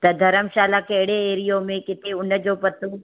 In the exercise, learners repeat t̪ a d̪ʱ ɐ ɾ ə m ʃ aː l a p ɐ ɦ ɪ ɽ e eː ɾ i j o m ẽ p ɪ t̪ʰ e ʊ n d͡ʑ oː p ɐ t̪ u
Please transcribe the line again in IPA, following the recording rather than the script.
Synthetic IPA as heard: t̪ ɐ d̪ʱ ɐ ɾ ə m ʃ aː l a k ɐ ɦ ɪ ɽ e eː ɾ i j o m ẽ k ɪ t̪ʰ e ʊ n d͡ʑ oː p ɐ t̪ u

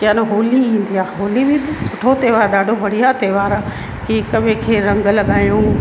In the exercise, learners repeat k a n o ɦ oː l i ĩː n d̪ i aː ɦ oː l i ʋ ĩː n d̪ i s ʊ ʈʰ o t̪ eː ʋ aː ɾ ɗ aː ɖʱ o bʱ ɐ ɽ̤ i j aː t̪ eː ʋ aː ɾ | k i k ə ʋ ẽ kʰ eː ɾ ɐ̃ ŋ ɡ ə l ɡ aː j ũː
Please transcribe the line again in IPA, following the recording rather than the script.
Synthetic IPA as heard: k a n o ɦ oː l i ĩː n d̪ i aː ɦ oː l i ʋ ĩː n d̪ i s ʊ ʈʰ o t̪ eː ʋ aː ɾ ɗ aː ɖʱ o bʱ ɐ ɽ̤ i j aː t̪ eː ʋ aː ɾ | k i k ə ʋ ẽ kʰ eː ɾ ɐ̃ ŋ ɡ ə l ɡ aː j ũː

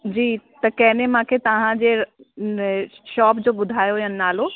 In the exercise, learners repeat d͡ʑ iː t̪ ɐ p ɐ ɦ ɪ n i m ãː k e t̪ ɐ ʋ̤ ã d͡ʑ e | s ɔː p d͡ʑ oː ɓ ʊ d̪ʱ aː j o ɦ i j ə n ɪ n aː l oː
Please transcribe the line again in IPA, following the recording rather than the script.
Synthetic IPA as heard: d͡ʑ iː t̪ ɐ k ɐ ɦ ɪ n e m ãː kʰ e t̪ ɐ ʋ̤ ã d͡ʑ e | ʃ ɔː p d͡ʑ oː ɓ ʊ d̪ʱ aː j o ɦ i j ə n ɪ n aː l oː

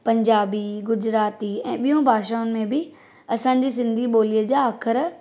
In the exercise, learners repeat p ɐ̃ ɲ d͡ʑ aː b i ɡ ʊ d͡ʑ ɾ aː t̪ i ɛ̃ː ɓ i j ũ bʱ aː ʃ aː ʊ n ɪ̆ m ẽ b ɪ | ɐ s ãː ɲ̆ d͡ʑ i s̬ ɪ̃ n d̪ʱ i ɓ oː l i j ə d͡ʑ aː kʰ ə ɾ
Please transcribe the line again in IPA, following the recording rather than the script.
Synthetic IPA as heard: p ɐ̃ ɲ d͡ʑ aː b i ɡ ʊ d͡ʑ ɾ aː t̪ i ɛ̃ː ɓ i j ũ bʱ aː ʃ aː ʊ n ɪ̆ m ẽ b ɪ | ɐ s ãː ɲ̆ d͡ʑ i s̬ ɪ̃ n d̪ʱ i ɓ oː l i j ə d͡ʑ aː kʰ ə ɾ

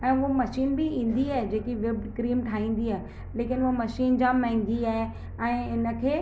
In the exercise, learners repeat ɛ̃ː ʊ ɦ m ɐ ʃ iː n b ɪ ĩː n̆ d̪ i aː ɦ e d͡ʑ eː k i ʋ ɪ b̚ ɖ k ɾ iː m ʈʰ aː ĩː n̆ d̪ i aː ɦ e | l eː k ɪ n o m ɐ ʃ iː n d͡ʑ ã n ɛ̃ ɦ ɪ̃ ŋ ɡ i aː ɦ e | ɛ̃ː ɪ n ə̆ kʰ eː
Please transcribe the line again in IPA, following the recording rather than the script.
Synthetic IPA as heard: ɛ̃ː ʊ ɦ m ɐ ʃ iː n b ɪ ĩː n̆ d̪ i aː ɦ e d͡ʑ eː k i ʋ ɪ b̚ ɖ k ɾ iː m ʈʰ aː ĩː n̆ d̪ i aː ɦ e | l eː k ɪ n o m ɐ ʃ iː n d͡ʑ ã m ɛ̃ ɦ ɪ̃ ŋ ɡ i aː ɦ e | ɛ̃ː ɪ n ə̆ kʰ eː

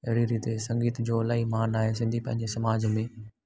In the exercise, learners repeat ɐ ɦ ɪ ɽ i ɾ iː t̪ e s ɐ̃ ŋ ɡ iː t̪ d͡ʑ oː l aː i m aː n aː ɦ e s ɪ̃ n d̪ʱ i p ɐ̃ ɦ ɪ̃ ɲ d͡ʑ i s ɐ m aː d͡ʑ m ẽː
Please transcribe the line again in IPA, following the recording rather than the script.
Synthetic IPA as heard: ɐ ɦ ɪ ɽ i ɾ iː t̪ e s ɐ̃ ŋ ɡ iː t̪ d͡ʑ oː l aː i m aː n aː ɦ e s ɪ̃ n d̪ʱ i p ɐ̃ ɦ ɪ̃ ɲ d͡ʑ e s ɐ m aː d͡ʑ m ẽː

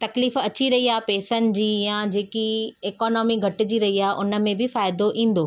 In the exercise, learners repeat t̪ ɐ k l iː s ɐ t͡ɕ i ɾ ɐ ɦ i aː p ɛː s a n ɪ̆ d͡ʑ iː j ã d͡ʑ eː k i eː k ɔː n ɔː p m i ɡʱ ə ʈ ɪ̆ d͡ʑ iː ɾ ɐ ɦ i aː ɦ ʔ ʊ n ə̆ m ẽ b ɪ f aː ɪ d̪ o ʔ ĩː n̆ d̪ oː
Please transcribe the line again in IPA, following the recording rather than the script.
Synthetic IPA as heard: t̪ ɐ k l iː f ɐ t͡ɕ i ɾ ɐ ɦ i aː p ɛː s ə n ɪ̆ d͡ʑ iː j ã d͡ʑ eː k i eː k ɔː n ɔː m i ɡʱ ɐ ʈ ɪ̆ d͡ʑ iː ɾ ɐ ɦ i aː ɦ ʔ ʊ n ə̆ m ẽ b ɪ f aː ɪ d̪ o ʔ ĩː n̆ d̪ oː

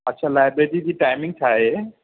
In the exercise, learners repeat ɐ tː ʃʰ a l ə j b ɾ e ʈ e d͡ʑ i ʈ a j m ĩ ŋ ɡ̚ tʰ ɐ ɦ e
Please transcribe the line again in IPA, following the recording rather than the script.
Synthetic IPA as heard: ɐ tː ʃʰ a l a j b ɾ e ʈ i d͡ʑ i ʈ a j m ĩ ŋ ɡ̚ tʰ a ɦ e

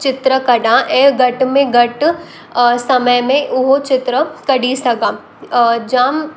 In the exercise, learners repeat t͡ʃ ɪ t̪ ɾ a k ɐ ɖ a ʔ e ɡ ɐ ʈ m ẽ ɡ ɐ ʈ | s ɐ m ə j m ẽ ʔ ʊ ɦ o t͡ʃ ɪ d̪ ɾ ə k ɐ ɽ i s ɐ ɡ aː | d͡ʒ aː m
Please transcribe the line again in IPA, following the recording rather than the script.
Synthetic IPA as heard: t͡ʃ ɪ t̪ ɾ ə k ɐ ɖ a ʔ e ɡ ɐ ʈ m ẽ ɡ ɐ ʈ | s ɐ m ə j m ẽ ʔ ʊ ɦ o t͡ʃ ɪ t̪ ɾ ə k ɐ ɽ i s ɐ ɡ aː | d͡ʒ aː m

